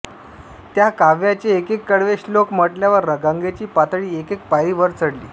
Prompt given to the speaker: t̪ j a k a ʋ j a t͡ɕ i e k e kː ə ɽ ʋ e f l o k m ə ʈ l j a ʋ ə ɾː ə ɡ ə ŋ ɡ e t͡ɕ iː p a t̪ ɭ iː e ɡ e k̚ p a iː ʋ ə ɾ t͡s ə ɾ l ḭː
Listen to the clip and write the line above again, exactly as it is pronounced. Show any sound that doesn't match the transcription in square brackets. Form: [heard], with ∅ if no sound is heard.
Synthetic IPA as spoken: t̪ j a k a ʋ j a t͡ɕ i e k e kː ə ɽ ʋ e [ɕ] l o k m ə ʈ l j a ʋ ə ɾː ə ɡ ə ŋ ɡ e t͡ɕ iː p a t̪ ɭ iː e [k] e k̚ p a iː ʋ ə ɾ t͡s ə [ɽ] l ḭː